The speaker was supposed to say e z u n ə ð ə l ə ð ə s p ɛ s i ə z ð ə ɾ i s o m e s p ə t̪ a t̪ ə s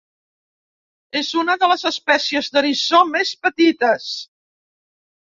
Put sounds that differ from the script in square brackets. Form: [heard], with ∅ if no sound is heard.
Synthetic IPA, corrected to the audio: e z u n ə ð ə l ə [z] ə s p ɛ s i ə z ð ə ɾ i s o m e s p ə t̪ [i] t̪ ə s